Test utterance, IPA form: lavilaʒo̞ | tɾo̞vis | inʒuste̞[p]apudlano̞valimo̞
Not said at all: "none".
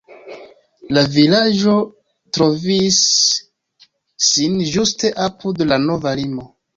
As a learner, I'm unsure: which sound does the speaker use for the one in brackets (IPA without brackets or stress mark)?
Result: ʔ